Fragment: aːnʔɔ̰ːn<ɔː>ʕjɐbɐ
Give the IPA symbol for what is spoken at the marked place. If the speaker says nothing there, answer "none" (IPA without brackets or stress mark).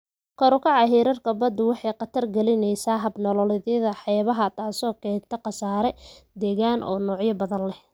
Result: ɔː